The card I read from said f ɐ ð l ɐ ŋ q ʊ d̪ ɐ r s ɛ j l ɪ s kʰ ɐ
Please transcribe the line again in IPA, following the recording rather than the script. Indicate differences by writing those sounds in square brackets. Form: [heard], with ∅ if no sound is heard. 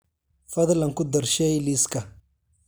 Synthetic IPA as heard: f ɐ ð l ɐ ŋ [k] ʊ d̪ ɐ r [ʃ] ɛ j l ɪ s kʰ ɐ